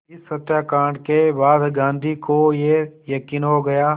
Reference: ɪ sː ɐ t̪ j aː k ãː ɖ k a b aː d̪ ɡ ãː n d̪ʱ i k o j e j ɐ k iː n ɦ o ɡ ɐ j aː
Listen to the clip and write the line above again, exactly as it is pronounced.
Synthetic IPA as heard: ɪ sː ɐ t̪ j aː k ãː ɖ k e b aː d̪ ɡ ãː n d̪ʱ i k o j e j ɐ k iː n ɦ o ɡ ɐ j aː